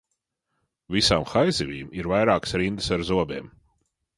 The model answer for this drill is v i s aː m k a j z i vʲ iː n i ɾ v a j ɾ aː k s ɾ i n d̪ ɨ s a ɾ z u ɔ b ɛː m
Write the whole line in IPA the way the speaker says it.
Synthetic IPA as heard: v i s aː m x a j z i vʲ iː m i ɾ v a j ɾ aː k s ɾ i n d̪ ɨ s a ɾ z u ɔ b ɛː m